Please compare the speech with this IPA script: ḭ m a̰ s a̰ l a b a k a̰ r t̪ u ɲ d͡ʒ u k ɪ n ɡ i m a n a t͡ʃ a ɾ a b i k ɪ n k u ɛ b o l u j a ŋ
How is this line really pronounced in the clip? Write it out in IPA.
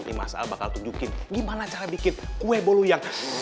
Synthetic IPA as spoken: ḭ m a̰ s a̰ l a b a k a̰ l t̪ u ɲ d͡ʒ u k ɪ n ɡ i m a n a t͡ʃ a ɾ a b i k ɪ n k u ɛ b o l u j a ŋ